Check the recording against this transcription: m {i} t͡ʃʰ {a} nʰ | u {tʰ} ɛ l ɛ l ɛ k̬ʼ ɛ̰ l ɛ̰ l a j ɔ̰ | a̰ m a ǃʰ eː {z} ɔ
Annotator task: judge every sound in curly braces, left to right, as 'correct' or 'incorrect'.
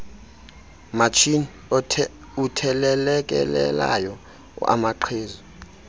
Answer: incorrect: a, incorrect: i, correct, correct

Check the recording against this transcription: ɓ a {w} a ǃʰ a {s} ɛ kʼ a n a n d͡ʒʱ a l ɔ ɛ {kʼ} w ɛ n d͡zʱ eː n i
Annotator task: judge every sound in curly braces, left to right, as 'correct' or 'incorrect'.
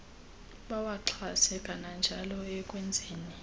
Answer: correct, correct, correct

